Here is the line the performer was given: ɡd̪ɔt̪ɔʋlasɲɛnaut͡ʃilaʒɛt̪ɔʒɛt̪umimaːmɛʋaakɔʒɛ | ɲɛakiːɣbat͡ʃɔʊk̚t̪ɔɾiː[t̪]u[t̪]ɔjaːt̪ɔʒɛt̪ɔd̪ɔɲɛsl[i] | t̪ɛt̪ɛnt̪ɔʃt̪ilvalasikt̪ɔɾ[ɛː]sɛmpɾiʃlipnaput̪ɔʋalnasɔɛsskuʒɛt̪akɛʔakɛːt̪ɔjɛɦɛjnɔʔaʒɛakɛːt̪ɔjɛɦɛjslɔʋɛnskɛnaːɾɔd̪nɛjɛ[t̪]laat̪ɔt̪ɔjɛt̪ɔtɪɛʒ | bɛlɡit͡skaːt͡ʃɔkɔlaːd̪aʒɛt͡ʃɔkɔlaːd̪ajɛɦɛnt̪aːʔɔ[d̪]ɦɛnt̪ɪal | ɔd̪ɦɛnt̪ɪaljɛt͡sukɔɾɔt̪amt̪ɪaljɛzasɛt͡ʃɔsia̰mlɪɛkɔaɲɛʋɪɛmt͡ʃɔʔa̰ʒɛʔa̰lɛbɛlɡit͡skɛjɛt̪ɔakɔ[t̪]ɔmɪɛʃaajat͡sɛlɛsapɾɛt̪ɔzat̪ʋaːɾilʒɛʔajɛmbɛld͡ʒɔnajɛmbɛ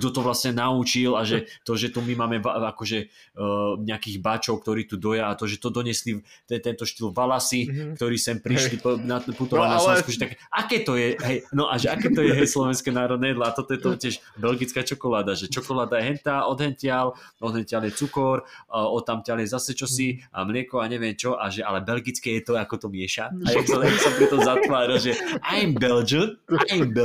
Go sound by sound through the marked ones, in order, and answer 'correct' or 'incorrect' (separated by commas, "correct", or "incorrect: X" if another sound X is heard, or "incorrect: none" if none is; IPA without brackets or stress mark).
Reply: correct, incorrect: d̪, correct, incorrect: iː, incorrect: d̪, correct, correct